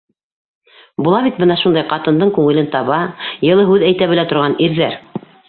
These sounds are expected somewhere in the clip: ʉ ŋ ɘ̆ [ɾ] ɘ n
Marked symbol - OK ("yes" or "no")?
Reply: no